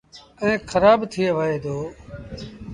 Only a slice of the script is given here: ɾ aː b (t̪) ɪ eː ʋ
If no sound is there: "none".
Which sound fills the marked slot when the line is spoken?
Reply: t̪ʰ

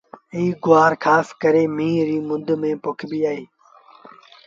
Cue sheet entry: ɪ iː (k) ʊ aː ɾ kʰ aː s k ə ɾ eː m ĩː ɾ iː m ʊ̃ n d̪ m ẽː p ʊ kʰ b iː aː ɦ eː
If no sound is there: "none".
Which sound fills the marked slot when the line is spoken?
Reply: ɡ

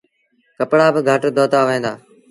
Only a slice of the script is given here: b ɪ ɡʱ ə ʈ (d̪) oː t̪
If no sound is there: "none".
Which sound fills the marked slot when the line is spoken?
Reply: d̪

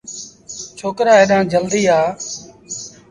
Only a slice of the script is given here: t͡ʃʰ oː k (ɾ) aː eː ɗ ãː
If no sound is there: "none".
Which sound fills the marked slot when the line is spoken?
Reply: ɾ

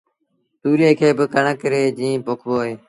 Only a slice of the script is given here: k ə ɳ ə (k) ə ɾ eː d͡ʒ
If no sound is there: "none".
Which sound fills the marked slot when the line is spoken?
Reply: k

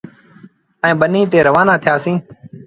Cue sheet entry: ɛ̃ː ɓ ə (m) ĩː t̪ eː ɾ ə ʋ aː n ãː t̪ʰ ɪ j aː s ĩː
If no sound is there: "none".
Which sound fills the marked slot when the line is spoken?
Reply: n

